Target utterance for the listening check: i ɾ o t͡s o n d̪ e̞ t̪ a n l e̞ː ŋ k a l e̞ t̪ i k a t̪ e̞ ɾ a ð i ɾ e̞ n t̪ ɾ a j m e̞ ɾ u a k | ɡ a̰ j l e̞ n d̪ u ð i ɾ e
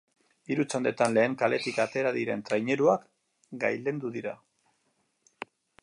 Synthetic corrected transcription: i ɾ u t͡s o n d̪ e̞ t̪ a n l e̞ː ŋ k a l e̞ t̪ i k a t̪ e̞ ɾ a ð i ɾ e̞ n t̪ ɾ a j ɲ e̞ ɾ u a k | ɡ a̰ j l e̞ n d̪ u ð i ɾ a

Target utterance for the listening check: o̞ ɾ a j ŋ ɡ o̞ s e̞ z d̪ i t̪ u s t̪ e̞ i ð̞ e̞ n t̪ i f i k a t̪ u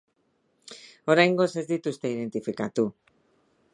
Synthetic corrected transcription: o̞ ɾ a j ŋ ɡ o̞ s e̞ z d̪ i t̪ u s t̪ e̞ i ð̞ e̞ n t̪ i f i k a t̪ u

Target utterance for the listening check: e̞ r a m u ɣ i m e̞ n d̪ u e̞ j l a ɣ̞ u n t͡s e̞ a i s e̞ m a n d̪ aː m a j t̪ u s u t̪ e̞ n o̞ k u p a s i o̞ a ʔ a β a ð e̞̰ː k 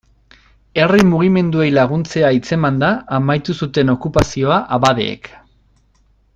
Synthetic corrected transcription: e̞ r i m u ɣ i m e̞ n d̪ u e̞ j l a ɣ̞ u n t͡s e̞ a i t͡s e̞ m a n d̪ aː m a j t̪ u s u t̪ e̞ n o̞ k u p a s i o̞ a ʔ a β a ð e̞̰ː k

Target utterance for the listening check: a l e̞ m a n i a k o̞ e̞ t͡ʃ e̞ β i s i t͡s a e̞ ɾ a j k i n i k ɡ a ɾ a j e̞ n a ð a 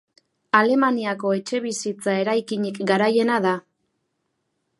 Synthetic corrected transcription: a l e̞ m a n i a k o̞ e̞ t͡ʃ e̞ β i s i t͡s a e̞ ɾ a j k i ɲ i k ɡ a ɾ a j e̞ n a ð a

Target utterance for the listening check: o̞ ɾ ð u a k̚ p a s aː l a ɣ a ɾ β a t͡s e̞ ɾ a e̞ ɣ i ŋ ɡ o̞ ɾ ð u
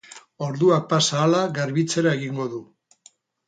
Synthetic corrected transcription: o̞ ɾ ð u a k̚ p a s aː l a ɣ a ɾ β i t͡s e̞ ɾ a e̞ ɣ i ŋ ɡ o̞ ð u

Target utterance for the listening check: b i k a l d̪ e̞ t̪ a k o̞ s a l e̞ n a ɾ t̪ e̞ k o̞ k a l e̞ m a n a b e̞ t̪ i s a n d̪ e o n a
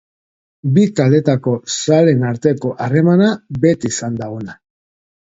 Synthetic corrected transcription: b i k a l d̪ e̞ t̪ a k o̞ s a l e̞ n a ɾ t̪ e̞ k o̞ ʔ a r e̞ m a n a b e̞ t̪ i s a n d̪ a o n a

